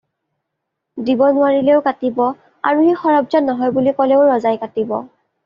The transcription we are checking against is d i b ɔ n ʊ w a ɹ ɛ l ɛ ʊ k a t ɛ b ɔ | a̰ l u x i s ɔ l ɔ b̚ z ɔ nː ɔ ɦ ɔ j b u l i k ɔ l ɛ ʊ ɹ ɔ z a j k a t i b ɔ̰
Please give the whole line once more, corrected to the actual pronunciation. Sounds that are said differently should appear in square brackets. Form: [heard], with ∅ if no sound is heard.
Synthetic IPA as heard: d i b ɔ n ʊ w a ɹ [i] l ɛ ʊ k a t [i] b ɔ | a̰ [ɹ] u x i [x] ɔ [ɹ] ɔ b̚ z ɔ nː ɔ ɦ ɔ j b u l i k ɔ l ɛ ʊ ɹ ɔ z a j k a t i b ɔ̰